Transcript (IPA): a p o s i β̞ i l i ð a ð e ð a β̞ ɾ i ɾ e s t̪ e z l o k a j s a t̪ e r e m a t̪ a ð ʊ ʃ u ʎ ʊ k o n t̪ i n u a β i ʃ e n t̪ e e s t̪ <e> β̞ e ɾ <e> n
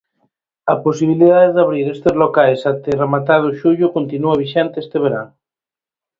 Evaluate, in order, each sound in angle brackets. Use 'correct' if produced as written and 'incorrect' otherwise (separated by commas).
correct, incorrect